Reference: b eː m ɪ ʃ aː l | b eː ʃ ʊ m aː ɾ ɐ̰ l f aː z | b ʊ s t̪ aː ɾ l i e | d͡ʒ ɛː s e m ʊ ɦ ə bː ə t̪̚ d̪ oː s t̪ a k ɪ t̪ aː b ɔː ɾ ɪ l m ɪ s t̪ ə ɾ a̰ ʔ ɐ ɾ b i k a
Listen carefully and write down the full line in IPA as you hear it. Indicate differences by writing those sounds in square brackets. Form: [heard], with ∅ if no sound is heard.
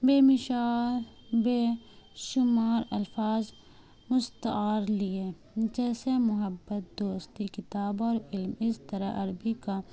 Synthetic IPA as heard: b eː m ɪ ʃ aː l | b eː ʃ ʊ m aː ɾ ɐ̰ l f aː z | [m] ʊ s t̪ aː ɾ l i e | d͡ʒ ɛː s e m ʊ ɦ ə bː ə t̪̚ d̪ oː s t̪ [i] k ɪ t̪ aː b ɔː ɾ ɪ l m ɪ s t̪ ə ɾ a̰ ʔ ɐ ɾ b i k a

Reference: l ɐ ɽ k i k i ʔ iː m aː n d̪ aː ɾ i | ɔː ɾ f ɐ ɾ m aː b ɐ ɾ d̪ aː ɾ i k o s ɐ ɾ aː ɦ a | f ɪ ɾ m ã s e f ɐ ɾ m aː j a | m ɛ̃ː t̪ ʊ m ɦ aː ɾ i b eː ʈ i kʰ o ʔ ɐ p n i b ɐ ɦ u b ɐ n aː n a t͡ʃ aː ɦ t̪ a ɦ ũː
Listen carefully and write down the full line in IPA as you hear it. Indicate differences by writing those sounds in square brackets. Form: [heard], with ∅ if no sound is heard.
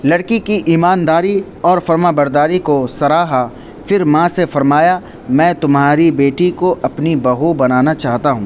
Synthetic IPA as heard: l ɐ ɽ k i k i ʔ iː m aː n d̪ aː ɾ i | ɔː ɾ f ɐ ɾ m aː b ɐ ɾ d̪ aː ɾ i k o s ɐ ɾ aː ɦ a | f ɪ ɾ m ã s e f ɐ ɾ m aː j a | m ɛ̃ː t̪ ʊ m ɦ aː ɾ i b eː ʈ i [k] o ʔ ɐ p n i b ɐ ɦ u b ɐ n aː n a t͡ʃ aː ɦ t̪ a ɦ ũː

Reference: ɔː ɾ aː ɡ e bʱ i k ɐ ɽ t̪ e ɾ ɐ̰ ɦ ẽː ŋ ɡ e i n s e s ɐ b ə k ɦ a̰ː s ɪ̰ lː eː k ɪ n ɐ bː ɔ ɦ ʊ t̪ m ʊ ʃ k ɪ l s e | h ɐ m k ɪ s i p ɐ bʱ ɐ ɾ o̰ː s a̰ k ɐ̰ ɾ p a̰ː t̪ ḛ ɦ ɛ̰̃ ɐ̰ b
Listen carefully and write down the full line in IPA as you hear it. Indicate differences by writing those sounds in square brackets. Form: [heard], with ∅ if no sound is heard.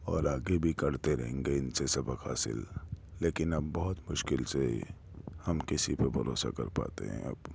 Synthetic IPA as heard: ɔː ɾ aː ɡ e bʱ i k ɐ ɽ t̪ e ɾ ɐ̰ ɦ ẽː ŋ ɡ e [ɪ] n s e s ɐ b ə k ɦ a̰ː s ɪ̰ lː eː k ɪ n ɐ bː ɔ ɦ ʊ t̪ m ʊ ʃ k ɪ l s e | h ɐ m k ɪ s i p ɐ bʱ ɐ ɾ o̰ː s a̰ k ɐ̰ ɾ p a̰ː t̪ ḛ ɦ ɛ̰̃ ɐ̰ b

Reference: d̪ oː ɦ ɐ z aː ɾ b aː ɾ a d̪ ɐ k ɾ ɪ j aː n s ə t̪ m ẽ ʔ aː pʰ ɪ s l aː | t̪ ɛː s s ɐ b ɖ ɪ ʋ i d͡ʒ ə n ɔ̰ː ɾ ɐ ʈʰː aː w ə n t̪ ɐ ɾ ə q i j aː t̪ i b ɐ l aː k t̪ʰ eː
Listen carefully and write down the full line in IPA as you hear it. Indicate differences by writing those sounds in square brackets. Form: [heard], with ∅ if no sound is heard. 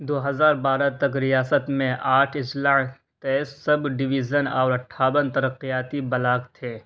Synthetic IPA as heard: d̪ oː ɦ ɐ z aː ɾ b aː ɾ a [t̪] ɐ k ɾ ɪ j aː [∅] s ə t̪ m ẽ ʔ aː [ʈʰ] ɪ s l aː | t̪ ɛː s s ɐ b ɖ ɪ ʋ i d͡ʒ ə n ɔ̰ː ɾ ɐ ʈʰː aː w ə n t̪ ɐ ɾ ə q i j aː t̪ i b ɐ l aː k t̪ʰ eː

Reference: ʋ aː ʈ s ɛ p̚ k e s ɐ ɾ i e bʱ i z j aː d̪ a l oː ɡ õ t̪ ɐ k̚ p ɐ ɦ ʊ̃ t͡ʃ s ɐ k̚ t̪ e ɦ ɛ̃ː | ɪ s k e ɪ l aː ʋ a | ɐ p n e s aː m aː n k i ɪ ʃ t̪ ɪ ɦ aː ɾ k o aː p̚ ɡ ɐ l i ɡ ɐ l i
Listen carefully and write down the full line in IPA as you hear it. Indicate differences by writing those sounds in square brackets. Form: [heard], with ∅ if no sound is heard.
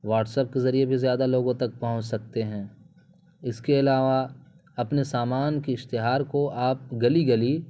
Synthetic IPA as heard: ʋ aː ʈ s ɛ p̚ k e [z] ɐ ɾ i e bʱ i z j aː d̪ a l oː ɡ õ t̪ ɐ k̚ p ɐ ɦ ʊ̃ t͡ʃ s ɐ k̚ t̪ e ɦ ɛ̃ː | ɪ s k e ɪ l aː ʋ a | ɐ p n e s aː m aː n k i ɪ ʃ t̪ ɪ ɦ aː ɾ k o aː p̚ ɡ ɐ l i ɡ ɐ l i

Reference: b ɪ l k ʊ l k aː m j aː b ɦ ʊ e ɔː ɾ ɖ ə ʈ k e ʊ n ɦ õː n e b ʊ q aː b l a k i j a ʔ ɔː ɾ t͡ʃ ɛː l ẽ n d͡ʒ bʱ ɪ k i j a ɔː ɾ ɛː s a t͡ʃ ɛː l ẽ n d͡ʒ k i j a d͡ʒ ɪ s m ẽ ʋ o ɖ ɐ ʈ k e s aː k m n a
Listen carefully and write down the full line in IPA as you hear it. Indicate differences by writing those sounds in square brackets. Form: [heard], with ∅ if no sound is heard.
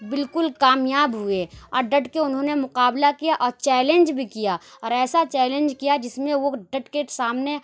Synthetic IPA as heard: b ɪ l k ʊ l k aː m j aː b ɦ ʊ e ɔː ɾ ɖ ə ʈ k e ʊ n ɦ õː n e [m] ʊ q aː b l a k i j a ʔ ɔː ɾ t͡ʃ ɛː l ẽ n d͡ʒ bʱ [i] k i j a ɔː ɾ ɛː s a t͡ʃ ɛː l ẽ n d͡ʒ k i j a d͡ʒ ɪ s m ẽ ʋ o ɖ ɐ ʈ k e s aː [∅] m n [e]

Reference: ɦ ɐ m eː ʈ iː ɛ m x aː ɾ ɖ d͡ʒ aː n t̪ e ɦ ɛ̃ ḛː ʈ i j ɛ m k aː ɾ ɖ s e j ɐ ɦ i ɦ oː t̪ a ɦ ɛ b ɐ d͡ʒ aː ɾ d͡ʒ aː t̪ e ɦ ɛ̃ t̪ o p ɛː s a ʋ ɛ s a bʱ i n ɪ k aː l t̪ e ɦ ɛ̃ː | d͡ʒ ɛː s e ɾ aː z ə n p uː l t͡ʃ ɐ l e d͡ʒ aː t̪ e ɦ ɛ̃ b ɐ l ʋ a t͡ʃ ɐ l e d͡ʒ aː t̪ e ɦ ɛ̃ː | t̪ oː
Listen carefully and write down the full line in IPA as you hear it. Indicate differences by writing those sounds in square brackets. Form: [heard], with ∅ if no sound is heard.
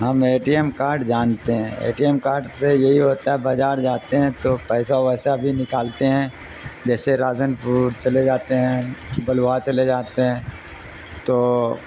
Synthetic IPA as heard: ɦ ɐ m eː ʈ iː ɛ m [k] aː ɾ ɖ d͡ʒ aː n t̪ e ɦ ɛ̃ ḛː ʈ i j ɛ m k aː ɾ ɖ s e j ɐ ɦ i ɦ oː t̪ a ɦ ɛ b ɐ d͡ʒ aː ɾ d͡ʒ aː t̪ e ɦ ɛ̃ t̪ o p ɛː s a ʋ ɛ s a bʱ i n ɪ k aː l t̪ e ɦ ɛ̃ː | d͡ʒ ɛː s e ɾ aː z ə n p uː [ɾ] t͡ʃ ɐ l e d͡ʒ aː t̪ e ɦ ɛ̃ b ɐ l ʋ a t͡ʃ ɐ l e d͡ʒ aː t̪ e ɦ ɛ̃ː | t̪ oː

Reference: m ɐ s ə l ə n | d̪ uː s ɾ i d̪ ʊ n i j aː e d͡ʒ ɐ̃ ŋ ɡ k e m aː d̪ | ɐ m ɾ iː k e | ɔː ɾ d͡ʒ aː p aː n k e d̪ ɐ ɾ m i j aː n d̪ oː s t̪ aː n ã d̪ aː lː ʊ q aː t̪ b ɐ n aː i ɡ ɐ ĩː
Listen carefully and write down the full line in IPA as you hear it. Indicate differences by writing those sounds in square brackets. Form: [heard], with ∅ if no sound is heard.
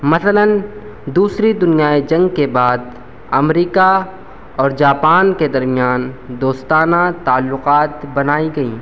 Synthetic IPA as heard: m ɐ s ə l ə n | d̪ uː s ɾ i d̪ ʊ n i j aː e d͡ʒ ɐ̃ ŋ ɡ k e [b] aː d̪ | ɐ m ɾ iː k [a] | ɔː ɾ d͡ʒ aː p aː n k e d̪ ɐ ɾ m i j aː n d̪ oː s t̪ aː n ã [t̪] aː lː ʊ q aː t̪ b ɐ n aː i ɡ ɐ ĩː

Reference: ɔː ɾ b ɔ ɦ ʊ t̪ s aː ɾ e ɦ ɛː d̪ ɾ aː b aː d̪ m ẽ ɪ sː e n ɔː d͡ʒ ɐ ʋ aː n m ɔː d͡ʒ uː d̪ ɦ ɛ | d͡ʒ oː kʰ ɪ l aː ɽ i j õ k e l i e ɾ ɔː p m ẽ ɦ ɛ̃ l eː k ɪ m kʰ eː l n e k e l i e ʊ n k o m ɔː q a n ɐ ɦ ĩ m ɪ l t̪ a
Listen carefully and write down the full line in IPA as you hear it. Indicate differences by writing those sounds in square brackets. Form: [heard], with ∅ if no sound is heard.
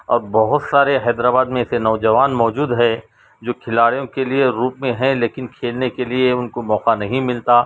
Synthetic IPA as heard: ɔː ɾ b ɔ ɦ ʊ t̪ s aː ɾ e ɦ ɛː d̪ ɾ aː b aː d̪ m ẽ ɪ [s] e n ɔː d͡ʒ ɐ ʋ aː n m ɔː d͡ʒ uː d̪ ɦ ɛ | d͡ʒ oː kʰ ɪ l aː ɽ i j õ k e l i e ɾ [uː] p m ẽ ɦ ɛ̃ l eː k ɪ [n] kʰ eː l n e k e l i e ʊ n k o m ɔː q a n ɐ ɦ ĩ m ɪ l t̪ a

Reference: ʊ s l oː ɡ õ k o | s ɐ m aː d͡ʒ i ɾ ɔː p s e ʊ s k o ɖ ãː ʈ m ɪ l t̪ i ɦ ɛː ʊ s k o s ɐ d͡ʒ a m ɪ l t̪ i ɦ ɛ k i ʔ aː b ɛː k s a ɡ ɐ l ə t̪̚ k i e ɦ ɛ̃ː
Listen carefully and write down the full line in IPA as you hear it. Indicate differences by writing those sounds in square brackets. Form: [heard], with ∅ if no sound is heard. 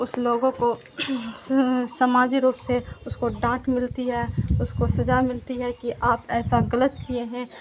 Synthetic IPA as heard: ʊ s l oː ɡ õ k o | s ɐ m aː d͡ʒ i ɾ [uː] p s e ʊ s k o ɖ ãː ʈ m ɪ l t̪ i ɦ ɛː ʊ s k o s ɐ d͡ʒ a m ɪ l t̪ i ɦ ɛ k i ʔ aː [p] ɛː [∅] s a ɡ ɐ l ə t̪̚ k i e ɦ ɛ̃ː

